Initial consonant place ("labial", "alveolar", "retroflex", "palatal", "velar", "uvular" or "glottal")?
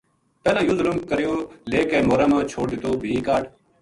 labial